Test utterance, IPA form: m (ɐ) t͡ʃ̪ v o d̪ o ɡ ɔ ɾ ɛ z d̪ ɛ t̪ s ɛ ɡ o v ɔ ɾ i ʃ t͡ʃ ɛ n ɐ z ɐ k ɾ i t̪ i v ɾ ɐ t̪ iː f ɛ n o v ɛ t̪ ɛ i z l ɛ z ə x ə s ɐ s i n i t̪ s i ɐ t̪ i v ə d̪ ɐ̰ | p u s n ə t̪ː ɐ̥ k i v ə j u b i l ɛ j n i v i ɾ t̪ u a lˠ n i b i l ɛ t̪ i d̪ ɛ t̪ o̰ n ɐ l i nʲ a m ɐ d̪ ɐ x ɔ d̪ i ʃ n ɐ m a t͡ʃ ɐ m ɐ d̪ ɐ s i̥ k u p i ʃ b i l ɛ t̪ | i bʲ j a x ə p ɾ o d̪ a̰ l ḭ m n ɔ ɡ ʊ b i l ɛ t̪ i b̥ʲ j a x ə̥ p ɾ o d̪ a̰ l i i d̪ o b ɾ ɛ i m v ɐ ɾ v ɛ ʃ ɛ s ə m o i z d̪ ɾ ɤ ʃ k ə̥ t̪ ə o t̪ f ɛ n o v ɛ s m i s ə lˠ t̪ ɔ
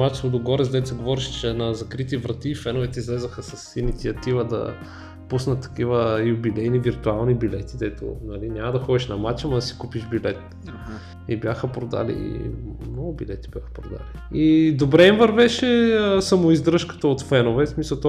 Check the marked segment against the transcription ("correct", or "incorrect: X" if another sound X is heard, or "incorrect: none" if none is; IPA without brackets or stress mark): incorrect: a